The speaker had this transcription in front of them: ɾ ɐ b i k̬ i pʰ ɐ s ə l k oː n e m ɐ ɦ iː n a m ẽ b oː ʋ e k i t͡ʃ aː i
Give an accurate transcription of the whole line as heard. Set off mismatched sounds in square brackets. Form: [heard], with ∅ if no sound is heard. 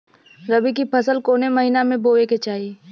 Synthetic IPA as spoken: ɾ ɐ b i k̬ i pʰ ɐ s ə l k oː n e m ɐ ɦ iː n a m ẽ b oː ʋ e k [e] t͡ʃ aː i